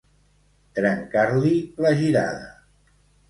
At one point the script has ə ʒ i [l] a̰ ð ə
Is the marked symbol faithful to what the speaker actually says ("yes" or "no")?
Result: no